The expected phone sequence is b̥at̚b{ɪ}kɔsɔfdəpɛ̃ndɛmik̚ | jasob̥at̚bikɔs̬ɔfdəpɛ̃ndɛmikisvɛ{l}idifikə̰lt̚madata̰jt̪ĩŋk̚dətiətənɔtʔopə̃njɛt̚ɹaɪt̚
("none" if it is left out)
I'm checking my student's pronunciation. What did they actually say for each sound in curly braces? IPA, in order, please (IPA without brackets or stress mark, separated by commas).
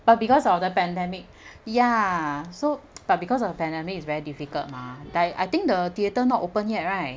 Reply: i, ɹ